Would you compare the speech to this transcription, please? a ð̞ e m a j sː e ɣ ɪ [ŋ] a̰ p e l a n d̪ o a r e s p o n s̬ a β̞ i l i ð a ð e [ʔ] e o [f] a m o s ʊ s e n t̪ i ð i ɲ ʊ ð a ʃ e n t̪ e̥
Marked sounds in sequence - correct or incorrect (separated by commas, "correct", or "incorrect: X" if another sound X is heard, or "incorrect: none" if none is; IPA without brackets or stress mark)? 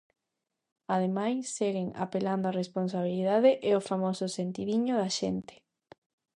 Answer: correct, correct, correct